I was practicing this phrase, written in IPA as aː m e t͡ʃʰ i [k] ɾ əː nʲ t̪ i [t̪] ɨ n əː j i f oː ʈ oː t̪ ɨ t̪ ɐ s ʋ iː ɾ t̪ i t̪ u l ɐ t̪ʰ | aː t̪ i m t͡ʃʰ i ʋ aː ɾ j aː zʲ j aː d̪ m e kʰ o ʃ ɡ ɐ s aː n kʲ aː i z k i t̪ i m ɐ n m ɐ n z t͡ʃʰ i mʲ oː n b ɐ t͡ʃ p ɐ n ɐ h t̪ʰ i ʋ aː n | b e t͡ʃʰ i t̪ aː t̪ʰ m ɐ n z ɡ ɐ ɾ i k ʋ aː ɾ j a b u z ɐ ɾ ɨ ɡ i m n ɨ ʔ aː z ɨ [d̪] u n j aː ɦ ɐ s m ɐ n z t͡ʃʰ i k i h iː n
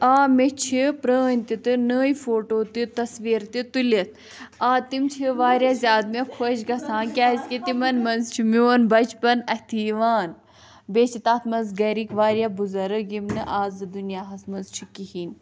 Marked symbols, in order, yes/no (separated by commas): no, yes, yes